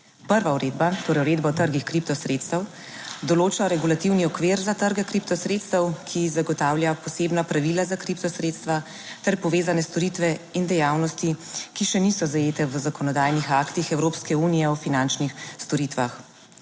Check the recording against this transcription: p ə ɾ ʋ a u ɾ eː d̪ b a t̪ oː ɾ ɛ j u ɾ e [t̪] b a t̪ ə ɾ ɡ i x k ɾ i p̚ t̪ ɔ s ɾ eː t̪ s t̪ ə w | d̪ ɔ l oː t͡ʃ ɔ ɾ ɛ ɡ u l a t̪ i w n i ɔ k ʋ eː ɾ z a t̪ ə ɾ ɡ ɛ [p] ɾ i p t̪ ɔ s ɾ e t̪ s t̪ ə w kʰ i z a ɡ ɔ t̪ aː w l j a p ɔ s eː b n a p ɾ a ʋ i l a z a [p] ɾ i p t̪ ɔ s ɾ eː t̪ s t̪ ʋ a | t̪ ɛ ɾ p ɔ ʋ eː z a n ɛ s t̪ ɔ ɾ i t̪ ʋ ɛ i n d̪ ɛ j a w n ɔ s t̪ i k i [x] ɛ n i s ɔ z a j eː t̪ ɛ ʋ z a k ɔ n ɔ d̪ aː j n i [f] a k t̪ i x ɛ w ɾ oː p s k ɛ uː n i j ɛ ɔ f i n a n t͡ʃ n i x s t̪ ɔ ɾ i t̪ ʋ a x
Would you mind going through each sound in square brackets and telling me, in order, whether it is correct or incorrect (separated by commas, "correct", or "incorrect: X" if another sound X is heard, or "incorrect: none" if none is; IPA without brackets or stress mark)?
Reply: incorrect: d̪, incorrect: k, incorrect: k, incorrect: ʃ, incorrect: x